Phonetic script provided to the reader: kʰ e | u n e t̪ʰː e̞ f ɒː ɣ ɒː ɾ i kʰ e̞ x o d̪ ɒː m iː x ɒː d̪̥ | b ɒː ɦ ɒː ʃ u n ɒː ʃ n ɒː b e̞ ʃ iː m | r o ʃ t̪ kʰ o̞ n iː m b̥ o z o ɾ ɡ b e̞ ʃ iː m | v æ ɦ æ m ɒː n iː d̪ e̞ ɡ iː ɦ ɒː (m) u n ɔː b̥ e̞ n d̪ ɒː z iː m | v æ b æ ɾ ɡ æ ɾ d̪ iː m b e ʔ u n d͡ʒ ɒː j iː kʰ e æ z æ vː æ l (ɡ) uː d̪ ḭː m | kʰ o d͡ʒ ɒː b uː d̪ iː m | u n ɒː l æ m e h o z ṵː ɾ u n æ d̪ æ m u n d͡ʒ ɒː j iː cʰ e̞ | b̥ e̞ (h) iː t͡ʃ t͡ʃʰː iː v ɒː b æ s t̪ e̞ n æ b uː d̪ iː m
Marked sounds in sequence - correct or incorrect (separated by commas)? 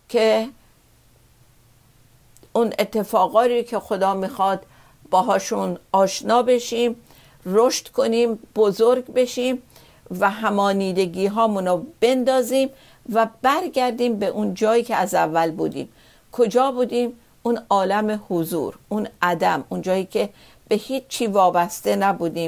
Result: correct, incorrect, correct